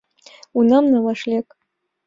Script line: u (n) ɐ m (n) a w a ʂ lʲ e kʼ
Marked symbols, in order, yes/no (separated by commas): yes, yes